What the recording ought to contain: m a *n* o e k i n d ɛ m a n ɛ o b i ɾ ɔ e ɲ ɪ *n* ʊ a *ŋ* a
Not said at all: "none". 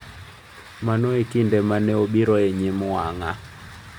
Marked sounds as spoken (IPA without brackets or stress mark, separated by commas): n, m, ŋ